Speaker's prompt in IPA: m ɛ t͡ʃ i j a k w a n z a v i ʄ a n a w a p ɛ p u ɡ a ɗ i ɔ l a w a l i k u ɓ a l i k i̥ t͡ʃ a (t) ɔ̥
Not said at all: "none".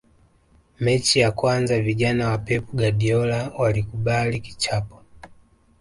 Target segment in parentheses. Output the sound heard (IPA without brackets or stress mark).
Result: p